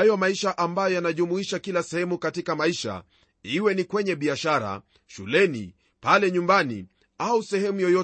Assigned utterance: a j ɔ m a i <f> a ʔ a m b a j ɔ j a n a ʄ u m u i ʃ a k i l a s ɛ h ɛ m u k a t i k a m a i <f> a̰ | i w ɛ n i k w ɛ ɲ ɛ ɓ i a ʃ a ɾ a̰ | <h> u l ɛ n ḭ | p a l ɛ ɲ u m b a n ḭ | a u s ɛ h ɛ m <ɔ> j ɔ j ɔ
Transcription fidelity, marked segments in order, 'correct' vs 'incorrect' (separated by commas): incorrect, incorrect, incorrect, incorrect